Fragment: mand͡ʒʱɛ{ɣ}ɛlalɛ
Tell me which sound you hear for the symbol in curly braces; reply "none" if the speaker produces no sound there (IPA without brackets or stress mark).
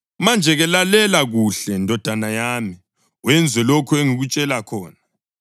ɣ